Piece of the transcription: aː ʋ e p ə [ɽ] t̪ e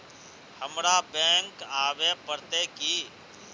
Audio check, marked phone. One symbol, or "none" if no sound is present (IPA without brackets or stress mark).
ɾ